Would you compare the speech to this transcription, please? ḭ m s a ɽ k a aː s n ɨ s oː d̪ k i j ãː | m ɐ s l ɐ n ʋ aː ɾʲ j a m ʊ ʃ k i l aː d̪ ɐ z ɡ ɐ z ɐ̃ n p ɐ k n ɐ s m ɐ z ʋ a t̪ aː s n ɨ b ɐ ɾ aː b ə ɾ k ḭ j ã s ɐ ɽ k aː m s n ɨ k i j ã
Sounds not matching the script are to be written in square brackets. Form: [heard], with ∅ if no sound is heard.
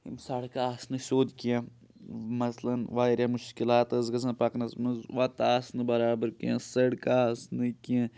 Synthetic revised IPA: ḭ m s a ɽ k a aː s n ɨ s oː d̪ k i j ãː | m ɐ s l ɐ n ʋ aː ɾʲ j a m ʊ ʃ k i l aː [t̪] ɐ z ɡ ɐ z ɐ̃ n p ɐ k n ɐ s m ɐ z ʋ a t̪ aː s n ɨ b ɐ ɾ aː b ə ɾ k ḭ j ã s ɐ ɽ k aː [∅] s n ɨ k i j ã